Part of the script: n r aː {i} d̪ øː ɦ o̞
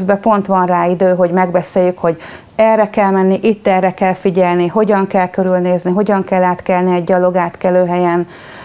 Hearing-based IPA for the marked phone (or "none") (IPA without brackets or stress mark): i